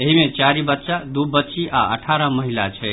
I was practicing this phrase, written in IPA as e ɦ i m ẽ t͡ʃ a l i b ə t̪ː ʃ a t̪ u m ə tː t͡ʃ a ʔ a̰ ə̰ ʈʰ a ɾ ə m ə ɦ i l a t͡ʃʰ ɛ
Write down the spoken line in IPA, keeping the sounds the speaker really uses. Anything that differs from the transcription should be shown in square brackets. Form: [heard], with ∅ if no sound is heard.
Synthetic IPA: e ɦ i m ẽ t͡ʃ a [ɾ] i b ə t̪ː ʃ a [d̪] u [b] ə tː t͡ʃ [i] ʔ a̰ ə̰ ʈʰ a ɾ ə m ə ɦ i l a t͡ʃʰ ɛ